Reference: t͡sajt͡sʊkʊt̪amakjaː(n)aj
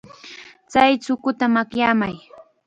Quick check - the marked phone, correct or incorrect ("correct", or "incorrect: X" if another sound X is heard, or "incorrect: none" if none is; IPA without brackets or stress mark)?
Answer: incorrect: m